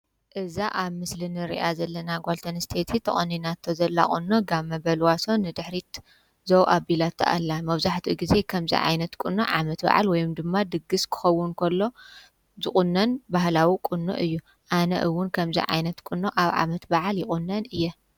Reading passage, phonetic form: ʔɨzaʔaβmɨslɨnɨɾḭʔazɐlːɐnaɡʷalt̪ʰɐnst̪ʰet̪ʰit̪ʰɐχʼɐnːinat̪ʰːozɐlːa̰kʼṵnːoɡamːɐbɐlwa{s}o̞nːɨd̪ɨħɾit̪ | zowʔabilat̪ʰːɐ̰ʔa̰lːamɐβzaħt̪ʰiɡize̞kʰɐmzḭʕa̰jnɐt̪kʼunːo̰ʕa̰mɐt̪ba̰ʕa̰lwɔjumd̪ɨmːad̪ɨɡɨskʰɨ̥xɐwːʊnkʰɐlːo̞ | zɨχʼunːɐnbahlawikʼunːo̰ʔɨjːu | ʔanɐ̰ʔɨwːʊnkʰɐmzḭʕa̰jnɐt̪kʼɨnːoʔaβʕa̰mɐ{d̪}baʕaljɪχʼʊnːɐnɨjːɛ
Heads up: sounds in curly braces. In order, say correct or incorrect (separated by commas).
correct, incorrect